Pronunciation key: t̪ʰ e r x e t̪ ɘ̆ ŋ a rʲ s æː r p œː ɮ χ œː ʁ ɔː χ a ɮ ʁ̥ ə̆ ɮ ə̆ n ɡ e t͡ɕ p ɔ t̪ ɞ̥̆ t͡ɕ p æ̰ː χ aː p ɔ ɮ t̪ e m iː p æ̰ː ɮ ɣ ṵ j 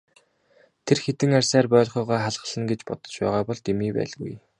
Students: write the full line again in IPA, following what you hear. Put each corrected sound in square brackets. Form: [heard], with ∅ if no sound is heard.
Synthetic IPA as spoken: t̪ʰ e r x e t̪ ɘ̆ ŋ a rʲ s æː r p œː ɮ χ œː ʁ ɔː χ a ɮ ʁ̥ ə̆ ɮ ə̆ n ɡ e t͡ɕ p ɔ t̪ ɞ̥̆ t͡ɕ p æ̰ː [ʁ] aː p ɔ ɮ t̪ e m iː p æ̰ː ɮ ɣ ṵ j